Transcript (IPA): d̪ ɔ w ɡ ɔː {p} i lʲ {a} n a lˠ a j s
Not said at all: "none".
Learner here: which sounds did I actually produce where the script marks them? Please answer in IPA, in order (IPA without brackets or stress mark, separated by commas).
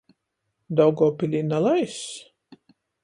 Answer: p, i